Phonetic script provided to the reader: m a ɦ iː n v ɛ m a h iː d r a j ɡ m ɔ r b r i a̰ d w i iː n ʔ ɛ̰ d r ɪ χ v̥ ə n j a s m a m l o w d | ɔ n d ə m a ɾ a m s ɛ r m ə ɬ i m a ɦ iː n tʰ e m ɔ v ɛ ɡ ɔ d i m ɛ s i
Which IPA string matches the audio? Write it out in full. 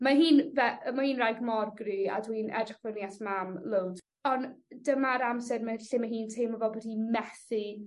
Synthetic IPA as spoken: m a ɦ iː n v ɛ m a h iː n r a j ɡ m ɔ r ɡ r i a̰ d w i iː n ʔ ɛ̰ d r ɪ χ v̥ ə n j a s m a m l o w d | ɔ n d ə m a ɾ a m s ɛ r m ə ɬ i m a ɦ iː n tʰ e m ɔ v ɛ b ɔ d i m ɛ θ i